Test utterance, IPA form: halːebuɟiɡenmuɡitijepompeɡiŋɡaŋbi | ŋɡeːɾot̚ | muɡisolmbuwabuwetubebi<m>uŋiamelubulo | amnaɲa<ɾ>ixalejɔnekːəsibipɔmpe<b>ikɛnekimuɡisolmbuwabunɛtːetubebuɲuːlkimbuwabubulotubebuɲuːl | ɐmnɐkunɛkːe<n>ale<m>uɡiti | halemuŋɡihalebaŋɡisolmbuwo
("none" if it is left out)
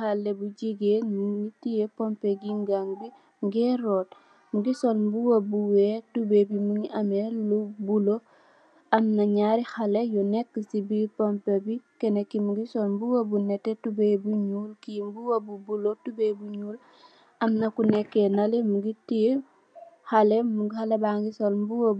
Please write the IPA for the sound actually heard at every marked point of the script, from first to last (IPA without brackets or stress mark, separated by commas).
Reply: m, ɾ, b, n, m